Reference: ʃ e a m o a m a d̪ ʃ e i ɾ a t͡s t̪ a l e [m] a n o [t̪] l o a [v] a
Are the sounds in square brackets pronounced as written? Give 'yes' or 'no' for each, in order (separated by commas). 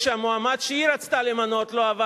yes, yes, yes